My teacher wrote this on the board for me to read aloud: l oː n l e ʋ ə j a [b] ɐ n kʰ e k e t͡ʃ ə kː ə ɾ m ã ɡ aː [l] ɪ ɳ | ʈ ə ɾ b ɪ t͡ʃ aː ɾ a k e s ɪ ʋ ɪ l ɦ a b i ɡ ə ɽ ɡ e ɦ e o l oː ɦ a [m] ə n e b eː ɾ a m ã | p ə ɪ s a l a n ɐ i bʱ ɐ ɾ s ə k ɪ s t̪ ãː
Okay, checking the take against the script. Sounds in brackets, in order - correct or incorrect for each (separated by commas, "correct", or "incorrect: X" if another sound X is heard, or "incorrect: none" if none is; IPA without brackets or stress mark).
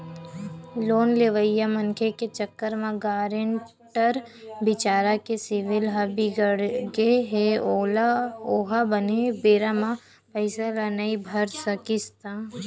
incorrect: m, incorrect: ɾ, incorrect: b